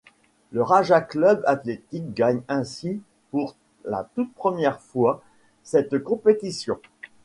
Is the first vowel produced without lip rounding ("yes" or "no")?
yes